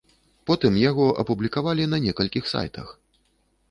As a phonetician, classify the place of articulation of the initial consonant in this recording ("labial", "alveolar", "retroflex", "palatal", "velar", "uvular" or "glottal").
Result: labial